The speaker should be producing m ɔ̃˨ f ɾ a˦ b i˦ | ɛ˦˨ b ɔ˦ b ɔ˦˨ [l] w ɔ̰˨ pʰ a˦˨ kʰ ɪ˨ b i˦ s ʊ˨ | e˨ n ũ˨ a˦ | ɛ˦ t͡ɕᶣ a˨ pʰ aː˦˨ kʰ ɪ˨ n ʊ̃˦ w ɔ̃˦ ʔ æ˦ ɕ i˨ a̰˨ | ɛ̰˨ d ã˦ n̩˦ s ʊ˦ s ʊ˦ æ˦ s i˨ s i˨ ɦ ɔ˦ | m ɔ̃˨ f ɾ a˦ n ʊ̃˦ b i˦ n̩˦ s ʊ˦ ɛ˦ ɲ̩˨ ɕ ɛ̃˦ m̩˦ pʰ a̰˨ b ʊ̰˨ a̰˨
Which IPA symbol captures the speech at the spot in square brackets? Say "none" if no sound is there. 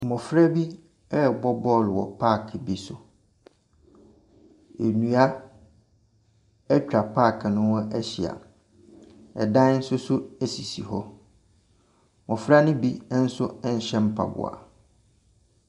l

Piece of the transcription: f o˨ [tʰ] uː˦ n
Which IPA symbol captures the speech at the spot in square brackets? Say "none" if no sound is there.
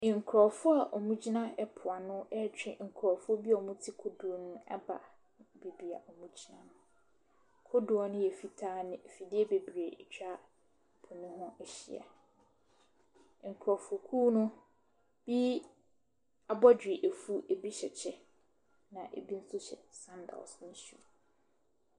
kʰ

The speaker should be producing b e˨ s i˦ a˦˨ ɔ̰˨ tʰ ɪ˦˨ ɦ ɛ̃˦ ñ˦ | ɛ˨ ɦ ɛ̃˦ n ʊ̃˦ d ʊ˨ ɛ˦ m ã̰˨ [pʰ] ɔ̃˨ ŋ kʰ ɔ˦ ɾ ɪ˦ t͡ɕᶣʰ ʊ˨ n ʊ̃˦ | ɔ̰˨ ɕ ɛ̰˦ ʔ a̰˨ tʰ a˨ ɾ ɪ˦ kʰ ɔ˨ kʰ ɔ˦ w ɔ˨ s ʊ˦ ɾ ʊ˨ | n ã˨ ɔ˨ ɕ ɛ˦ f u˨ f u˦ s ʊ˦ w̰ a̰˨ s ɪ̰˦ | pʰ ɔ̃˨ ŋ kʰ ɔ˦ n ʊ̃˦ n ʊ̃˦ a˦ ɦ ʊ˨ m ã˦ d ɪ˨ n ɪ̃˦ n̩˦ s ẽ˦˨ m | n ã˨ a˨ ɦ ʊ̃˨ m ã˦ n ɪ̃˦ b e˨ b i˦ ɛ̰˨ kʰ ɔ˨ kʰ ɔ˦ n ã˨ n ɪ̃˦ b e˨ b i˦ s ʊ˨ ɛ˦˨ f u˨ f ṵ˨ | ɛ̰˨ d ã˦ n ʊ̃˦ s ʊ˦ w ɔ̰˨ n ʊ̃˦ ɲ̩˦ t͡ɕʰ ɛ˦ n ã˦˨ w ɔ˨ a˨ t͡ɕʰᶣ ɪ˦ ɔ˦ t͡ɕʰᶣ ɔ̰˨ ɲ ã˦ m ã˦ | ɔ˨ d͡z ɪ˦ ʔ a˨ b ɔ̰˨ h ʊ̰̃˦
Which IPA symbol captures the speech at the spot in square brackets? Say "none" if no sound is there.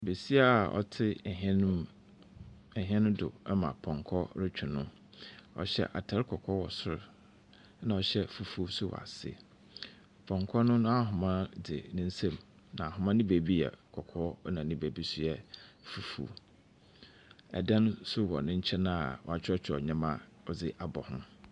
pʰ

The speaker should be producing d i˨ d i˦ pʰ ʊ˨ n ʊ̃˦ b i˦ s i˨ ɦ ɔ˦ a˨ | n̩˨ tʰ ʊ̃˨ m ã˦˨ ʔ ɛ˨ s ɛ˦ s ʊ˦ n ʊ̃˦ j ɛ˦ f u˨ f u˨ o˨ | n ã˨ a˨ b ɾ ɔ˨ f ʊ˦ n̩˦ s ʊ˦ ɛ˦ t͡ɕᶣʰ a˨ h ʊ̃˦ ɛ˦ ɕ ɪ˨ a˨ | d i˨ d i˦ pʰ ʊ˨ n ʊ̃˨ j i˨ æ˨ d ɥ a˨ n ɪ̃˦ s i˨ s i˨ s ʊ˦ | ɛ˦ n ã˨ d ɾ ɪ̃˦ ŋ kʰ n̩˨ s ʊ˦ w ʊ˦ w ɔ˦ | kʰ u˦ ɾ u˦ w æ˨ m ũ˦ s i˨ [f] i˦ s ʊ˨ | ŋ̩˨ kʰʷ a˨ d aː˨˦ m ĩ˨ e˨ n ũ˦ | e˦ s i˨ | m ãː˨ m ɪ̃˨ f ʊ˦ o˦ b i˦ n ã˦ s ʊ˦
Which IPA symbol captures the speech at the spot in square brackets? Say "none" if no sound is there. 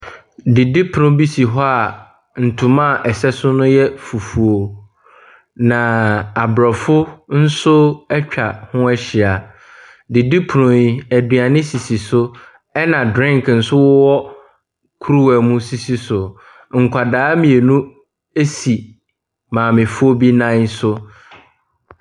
s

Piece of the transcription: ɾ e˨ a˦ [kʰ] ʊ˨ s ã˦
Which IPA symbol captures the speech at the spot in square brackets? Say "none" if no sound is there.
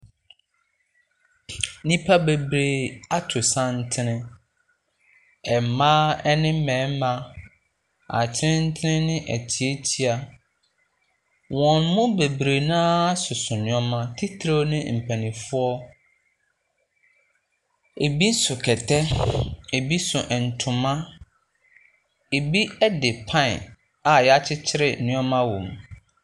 tʰ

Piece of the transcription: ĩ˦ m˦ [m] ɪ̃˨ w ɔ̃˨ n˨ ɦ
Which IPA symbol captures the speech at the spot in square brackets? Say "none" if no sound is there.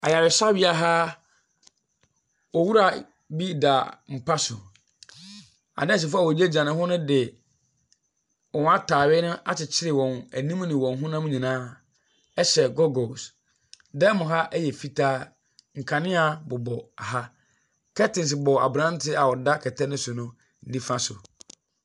n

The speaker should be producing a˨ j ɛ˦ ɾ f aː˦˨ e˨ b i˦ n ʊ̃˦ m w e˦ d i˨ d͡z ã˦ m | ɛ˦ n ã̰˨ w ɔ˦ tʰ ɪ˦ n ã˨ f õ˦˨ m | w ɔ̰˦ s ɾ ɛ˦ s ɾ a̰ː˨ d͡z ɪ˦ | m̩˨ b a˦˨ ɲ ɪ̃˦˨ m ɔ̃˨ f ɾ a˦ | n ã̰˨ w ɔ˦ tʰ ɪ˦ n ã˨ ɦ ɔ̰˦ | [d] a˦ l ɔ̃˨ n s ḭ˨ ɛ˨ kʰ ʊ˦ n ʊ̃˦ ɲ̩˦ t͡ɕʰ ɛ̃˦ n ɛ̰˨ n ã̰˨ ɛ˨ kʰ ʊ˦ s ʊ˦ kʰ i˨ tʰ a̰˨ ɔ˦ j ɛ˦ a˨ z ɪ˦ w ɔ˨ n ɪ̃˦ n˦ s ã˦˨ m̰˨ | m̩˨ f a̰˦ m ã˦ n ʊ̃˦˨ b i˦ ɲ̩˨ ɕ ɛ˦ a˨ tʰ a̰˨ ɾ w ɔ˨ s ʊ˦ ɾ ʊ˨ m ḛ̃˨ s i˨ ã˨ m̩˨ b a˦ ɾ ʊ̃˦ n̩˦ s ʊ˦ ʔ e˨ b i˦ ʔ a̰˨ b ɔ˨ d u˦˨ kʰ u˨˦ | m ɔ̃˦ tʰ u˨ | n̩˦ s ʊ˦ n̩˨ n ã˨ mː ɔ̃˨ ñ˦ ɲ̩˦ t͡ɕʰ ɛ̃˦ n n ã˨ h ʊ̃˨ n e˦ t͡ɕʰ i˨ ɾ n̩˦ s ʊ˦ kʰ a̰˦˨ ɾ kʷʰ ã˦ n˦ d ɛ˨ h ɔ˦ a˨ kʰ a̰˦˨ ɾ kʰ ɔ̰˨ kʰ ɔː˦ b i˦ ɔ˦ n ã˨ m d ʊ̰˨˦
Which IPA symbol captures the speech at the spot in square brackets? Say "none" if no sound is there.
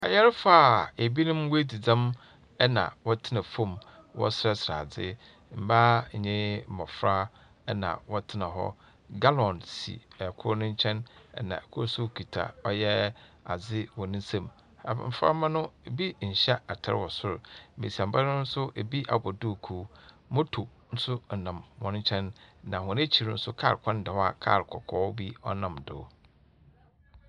ɡ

